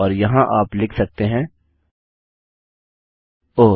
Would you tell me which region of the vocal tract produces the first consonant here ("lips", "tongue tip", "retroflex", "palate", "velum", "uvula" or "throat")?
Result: tongue tip